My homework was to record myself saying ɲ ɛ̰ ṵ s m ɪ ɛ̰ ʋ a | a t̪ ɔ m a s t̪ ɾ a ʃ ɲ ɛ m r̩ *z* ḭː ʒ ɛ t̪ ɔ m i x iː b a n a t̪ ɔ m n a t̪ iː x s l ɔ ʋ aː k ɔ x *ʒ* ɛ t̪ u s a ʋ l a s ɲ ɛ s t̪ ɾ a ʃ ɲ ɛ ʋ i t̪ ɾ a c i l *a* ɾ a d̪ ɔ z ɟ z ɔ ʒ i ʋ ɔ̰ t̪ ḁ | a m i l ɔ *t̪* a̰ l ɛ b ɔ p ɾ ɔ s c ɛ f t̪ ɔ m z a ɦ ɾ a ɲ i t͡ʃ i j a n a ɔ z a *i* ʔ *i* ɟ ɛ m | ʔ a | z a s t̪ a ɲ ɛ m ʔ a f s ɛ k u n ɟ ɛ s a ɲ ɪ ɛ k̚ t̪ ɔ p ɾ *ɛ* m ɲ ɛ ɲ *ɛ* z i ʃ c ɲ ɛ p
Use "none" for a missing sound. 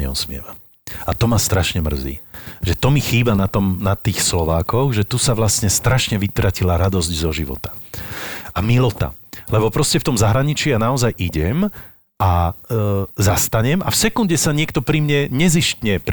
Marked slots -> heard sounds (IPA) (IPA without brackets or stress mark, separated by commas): z, ʒ, a, t̪, j, i, i, ɛ